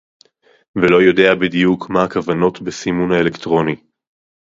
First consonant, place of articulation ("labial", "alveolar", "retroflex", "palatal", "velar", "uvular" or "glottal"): labial